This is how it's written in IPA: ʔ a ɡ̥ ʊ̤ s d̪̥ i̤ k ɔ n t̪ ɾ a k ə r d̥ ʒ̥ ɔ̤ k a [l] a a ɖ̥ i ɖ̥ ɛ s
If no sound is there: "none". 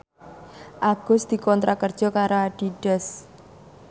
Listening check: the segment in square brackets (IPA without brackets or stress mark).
ɾ